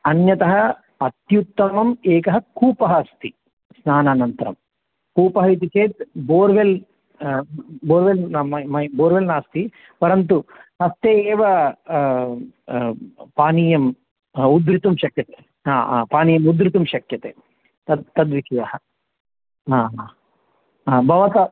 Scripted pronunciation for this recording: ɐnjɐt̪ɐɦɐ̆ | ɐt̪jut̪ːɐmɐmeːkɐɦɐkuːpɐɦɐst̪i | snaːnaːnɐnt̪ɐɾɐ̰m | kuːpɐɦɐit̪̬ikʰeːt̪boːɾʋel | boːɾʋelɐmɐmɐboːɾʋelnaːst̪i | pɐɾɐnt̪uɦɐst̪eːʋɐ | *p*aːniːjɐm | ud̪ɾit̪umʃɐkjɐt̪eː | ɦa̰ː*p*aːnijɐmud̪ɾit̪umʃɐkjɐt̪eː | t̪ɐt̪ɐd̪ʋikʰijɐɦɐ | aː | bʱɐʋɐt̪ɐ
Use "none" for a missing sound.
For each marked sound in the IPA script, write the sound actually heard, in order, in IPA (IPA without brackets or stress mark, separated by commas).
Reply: p, p